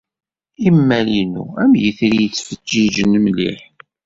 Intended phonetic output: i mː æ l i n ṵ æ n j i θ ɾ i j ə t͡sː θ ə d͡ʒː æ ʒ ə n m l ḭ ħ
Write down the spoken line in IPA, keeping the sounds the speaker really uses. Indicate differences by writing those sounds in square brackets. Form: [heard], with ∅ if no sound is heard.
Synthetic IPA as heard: i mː æ l i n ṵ æ [m] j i θ ɾ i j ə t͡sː [f] ə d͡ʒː [i] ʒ ə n m l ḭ ħ